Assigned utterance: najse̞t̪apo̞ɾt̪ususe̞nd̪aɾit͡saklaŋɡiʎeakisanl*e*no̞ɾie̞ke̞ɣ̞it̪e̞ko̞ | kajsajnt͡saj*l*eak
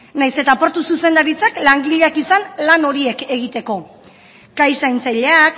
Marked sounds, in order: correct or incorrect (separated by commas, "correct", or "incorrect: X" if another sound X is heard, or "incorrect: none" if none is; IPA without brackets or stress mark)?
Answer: incorrect: a, incorrect: ʎ